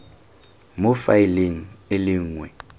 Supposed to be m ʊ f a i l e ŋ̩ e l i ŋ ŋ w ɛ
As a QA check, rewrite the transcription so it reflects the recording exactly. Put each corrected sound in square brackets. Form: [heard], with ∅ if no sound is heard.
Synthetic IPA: m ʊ f a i l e ŋ̩ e l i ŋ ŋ w ɛ